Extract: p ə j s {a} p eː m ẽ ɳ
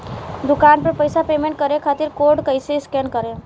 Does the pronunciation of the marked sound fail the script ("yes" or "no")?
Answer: no